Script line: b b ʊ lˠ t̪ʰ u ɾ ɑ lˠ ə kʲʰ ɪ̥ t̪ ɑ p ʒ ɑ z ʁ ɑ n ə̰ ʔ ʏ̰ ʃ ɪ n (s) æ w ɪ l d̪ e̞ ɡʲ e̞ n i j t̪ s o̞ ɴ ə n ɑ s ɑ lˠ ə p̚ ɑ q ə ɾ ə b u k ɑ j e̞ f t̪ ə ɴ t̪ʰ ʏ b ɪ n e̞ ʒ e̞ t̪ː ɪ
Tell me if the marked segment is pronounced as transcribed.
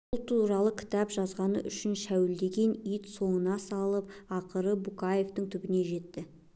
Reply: no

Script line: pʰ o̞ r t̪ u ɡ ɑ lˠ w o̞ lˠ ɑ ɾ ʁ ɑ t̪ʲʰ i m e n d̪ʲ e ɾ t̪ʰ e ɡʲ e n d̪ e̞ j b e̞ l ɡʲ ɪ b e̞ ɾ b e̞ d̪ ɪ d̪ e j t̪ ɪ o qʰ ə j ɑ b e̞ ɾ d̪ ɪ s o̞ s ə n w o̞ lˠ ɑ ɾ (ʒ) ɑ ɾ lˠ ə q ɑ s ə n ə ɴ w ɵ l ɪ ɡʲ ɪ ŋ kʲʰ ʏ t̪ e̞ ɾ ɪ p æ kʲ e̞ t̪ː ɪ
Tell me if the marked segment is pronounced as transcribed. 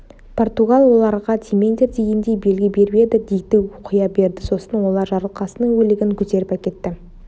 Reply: yes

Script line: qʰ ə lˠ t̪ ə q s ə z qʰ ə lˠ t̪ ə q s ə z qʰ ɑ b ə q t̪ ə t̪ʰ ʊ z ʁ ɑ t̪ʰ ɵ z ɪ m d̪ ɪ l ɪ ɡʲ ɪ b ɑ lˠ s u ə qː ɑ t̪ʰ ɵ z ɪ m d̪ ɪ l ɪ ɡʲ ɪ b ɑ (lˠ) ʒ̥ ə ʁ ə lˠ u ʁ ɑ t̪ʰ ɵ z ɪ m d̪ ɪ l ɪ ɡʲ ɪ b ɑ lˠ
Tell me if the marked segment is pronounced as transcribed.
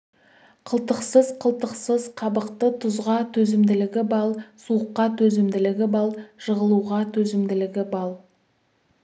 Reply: yes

